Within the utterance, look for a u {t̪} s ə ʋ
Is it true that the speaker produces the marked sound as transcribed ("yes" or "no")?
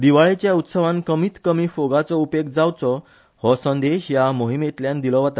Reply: yes